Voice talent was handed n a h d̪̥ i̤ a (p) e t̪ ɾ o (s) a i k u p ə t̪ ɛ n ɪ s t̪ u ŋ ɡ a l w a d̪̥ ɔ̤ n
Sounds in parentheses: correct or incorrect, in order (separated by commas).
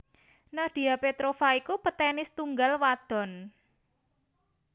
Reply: correct, incorrect